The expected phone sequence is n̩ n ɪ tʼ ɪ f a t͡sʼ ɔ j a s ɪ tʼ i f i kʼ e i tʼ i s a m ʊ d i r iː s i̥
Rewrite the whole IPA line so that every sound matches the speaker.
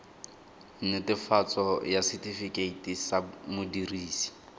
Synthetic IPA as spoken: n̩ n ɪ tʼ ɪ f a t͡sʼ ɔ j a s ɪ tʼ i f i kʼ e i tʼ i s a m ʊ d i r iː s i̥